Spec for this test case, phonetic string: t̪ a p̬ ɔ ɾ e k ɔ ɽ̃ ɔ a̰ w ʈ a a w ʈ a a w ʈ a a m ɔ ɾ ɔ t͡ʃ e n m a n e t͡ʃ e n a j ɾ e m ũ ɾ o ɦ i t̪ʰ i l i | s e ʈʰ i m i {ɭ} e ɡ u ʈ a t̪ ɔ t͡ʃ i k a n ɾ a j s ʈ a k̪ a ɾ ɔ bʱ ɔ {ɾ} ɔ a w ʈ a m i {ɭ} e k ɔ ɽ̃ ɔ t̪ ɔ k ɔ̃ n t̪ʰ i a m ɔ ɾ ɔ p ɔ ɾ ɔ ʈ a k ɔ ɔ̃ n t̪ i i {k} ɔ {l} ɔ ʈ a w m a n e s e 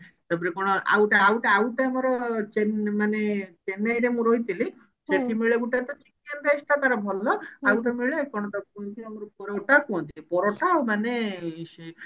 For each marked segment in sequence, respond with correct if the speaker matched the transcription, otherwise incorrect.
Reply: correct, incorrect, correct, incorrect, incorrect

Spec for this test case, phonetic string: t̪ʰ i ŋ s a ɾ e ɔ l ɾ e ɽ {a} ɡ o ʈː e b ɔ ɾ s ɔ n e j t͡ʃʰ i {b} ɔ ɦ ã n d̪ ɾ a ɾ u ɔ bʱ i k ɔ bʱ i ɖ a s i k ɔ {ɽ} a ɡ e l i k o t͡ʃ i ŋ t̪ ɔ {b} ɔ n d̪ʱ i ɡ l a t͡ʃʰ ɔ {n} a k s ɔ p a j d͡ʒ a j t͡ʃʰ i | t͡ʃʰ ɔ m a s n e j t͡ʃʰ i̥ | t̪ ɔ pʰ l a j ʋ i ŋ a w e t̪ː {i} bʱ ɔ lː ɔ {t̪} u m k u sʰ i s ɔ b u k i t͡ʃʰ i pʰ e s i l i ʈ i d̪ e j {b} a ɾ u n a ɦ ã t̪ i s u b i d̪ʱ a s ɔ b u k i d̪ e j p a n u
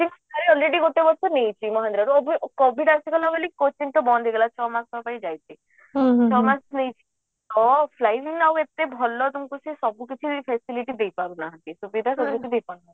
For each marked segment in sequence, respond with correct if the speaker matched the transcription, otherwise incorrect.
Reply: incorrect, incorrect, incorrect, correct, incorrect, incorrect, correct, incorrect

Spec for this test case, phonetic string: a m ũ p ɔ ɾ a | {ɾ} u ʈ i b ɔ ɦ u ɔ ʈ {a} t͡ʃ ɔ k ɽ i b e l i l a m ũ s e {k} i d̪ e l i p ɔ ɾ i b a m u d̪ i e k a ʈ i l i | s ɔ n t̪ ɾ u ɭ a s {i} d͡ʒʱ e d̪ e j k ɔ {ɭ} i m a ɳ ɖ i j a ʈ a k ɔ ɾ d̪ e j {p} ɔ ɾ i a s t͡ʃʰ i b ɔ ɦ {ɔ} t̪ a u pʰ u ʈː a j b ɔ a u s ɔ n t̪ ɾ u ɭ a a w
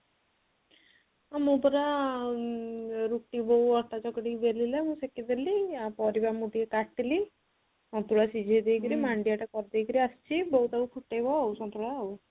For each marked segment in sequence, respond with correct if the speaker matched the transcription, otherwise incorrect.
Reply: correct, correct, correct, correct, incorrect, incorrect, incorrect

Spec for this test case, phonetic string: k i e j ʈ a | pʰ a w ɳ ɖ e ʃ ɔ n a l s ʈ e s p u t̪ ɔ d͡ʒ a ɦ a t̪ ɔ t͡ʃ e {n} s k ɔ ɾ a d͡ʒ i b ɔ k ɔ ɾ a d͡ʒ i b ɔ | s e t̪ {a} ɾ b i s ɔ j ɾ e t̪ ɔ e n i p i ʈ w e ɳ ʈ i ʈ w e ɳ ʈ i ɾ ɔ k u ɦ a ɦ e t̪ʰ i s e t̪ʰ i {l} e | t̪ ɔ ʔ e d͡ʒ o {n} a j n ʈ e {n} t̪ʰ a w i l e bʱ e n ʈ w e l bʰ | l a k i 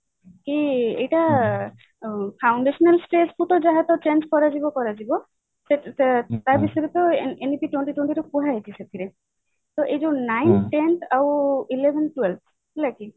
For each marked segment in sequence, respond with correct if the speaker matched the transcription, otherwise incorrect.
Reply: correct, correct, incorrect, correct, correct

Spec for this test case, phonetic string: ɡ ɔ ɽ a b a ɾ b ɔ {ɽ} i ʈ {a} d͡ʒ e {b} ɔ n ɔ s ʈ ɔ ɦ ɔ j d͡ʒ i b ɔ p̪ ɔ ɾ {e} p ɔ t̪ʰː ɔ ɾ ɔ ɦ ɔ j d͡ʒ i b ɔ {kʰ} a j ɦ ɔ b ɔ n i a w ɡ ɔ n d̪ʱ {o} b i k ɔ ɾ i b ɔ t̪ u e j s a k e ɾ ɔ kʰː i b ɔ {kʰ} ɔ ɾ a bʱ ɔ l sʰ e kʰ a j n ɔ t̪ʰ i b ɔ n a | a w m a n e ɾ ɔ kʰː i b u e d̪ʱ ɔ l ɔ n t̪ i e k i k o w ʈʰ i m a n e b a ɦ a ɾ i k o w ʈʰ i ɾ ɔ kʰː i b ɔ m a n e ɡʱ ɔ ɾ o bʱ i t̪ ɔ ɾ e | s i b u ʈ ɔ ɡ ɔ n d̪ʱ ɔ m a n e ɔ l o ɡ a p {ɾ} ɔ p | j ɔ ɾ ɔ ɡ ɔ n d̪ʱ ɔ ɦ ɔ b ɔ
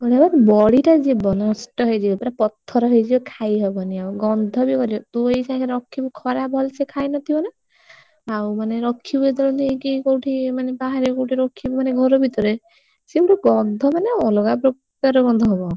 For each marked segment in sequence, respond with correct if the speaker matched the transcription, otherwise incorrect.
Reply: correct, correct, correct, incorrect, correct, incorrect, correct, correct

